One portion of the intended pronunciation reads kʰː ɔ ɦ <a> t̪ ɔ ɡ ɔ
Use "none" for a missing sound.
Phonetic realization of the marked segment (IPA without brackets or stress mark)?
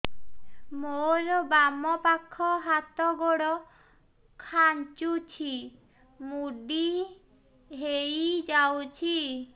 a